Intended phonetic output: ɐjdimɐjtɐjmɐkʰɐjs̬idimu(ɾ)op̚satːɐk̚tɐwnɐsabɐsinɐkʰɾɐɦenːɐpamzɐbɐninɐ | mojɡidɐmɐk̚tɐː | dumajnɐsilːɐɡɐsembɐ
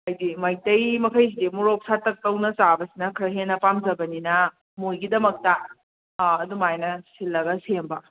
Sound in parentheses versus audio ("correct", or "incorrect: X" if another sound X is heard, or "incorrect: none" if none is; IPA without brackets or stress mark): correct